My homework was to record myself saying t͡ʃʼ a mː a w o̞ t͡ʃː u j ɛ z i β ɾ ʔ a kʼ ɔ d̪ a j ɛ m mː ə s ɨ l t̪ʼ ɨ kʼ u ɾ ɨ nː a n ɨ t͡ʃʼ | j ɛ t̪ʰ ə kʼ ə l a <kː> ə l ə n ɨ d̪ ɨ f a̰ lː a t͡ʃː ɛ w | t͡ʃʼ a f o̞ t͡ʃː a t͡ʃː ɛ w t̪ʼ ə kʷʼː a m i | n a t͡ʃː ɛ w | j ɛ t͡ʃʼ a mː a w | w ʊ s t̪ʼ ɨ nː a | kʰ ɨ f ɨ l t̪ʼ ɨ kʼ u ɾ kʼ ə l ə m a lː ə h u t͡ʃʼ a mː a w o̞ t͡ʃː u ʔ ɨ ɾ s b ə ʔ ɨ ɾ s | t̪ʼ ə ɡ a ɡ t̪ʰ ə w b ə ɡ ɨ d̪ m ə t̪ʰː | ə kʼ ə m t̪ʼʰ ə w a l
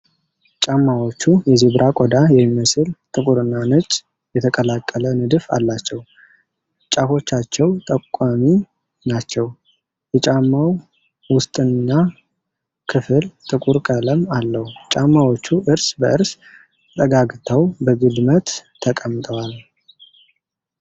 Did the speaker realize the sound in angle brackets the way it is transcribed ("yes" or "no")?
no